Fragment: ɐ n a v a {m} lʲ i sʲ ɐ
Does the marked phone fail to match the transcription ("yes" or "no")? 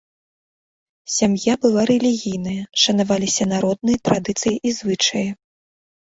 yes